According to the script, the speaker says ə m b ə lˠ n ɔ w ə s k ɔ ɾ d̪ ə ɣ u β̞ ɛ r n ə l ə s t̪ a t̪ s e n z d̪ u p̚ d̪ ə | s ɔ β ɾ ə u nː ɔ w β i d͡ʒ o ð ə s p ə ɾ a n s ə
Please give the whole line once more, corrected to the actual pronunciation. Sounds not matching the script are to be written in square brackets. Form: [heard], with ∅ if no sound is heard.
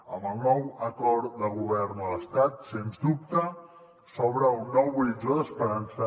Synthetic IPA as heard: ə m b ə lˠ n ɔ w ə [∅] k ɔ ɾ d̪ ə ɣ u β̞ ɛ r n ə l ə s t̪ a t̪ s e n z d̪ u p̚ [t̪] ə | s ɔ β ɾ ə u nː ɔ w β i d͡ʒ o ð ə s p ə ɾ a n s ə